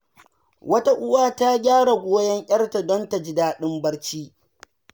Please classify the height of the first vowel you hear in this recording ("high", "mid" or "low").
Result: low